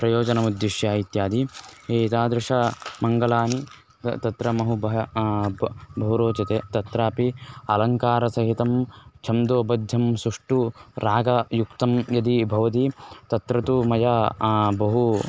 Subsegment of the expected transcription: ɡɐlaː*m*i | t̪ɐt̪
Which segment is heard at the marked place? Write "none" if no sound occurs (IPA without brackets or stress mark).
n